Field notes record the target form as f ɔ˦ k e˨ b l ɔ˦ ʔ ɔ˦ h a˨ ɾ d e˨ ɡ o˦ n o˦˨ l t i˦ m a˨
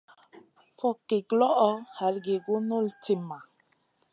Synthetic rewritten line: f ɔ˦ k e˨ ɡ l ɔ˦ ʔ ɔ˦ h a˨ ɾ ɡ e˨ ɡ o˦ n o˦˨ l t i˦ m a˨